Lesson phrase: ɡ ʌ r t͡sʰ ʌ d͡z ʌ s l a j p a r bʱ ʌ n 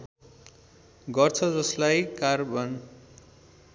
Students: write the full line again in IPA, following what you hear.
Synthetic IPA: ɡ ʌ r t͡sʰ ʌ d͡z ʌ s l a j k a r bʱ ʌ n